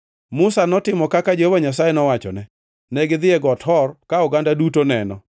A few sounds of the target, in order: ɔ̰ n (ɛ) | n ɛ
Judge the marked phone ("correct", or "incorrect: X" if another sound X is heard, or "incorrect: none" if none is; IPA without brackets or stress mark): correct